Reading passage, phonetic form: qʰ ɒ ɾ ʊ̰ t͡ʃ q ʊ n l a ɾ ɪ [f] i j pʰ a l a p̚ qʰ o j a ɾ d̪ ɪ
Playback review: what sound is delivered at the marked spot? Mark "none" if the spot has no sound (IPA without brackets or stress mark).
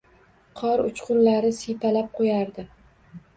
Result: s